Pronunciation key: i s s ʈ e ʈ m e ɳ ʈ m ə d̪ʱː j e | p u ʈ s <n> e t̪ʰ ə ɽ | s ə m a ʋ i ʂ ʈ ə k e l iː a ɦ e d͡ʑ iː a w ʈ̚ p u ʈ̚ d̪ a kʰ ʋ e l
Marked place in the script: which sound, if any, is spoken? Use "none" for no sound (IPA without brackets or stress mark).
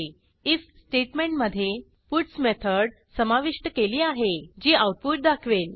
m